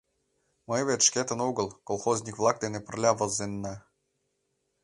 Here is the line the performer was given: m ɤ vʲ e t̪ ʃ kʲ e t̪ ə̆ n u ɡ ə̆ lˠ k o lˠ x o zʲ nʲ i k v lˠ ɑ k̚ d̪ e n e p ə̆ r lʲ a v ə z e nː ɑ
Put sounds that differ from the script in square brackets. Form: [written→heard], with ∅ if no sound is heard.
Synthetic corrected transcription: m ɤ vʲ e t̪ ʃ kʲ e t̪ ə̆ n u ɡ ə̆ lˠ k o lˠ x o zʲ nʲ i k v lˠ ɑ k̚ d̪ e n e p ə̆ r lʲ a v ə z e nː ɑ